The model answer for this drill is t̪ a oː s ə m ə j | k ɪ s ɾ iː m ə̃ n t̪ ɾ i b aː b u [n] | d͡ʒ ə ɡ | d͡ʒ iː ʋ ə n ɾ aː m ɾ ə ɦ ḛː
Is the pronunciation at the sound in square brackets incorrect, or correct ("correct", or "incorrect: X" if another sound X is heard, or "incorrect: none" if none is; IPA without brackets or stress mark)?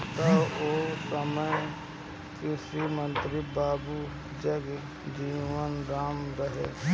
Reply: incorrect: none